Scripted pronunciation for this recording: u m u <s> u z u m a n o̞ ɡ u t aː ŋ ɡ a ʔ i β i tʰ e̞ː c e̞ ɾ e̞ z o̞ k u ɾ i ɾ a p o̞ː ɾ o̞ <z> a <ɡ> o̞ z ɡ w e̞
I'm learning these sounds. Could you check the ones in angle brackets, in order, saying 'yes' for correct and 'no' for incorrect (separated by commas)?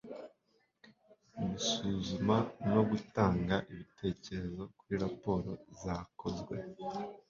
yes, yes, no